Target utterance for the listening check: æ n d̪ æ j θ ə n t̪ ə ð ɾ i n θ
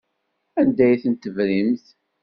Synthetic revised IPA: æ n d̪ æ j θ ə n t̪ ə v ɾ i m θ